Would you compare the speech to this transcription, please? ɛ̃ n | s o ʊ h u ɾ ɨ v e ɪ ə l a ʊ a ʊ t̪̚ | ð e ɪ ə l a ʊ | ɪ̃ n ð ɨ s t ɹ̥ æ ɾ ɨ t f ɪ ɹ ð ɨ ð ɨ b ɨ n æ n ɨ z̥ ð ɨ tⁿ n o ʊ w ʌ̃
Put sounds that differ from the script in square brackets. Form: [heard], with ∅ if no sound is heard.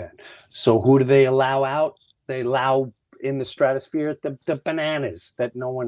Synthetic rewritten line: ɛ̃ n | s o ʊ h u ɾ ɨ [ð] e ɪ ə l a ʊ a ʊ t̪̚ | ð e ɪ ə l a ʊ | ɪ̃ n ð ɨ s t ɹ̥ æ ɾ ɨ [s] f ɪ ɹ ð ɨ ð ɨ b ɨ n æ n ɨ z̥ ð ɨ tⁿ n o ʊ w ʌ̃